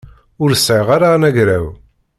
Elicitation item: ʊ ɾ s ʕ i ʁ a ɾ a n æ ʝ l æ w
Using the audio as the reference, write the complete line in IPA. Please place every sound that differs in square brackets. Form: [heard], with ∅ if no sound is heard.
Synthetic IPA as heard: ʊ ɾ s ʕ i ʁ a ɾ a n æ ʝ [ɾ] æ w